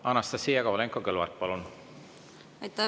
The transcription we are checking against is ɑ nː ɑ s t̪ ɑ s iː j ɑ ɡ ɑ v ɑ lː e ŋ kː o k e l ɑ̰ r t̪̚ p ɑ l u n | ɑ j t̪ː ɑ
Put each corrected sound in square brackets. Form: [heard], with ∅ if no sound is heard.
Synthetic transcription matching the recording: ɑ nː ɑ s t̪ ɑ s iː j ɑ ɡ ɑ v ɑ [l] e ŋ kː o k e l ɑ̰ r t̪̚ p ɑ l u n | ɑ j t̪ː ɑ